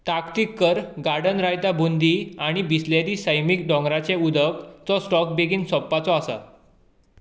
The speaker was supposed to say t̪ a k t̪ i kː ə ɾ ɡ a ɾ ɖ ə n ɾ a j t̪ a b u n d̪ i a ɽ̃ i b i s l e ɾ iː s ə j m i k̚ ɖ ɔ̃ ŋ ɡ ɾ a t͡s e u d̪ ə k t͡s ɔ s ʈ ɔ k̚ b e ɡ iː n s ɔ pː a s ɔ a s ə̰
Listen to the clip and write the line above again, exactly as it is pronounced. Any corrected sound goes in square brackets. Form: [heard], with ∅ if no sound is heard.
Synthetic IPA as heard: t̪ a k t̪ i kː ə ɾ ɡ a ɾ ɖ ə n ɾ a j t̪ a b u n d̪ i a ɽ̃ i b i s l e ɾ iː s ə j m i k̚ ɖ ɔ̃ ŋ ɡ ɾ a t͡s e u d̪ ə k t͡s ɔ s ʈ ɔ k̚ b e ɡ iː n s ɔ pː a [t͡s] ɔ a s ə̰